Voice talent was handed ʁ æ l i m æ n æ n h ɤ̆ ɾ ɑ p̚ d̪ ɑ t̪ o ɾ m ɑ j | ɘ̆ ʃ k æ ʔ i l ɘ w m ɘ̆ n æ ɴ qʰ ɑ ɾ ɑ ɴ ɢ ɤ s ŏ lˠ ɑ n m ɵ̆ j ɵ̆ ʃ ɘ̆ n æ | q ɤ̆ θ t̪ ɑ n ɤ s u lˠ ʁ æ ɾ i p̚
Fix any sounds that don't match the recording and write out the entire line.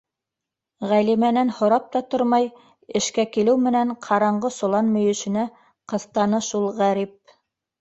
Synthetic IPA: ʁ æ l i m æ n æ n h ŏ ɾ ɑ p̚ t̪ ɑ t̪ o ɾ m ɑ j | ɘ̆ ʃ k æ k i l ɘ w m ɘ̆ n æ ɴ qʰ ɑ ɾ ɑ ɴ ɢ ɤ s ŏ lˠ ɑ n m ɵ̆ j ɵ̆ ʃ ɘ̆ n æ | q ɤ̆ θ t̪ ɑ n ɤ ʃ u lˠ ʁ æ ɾ i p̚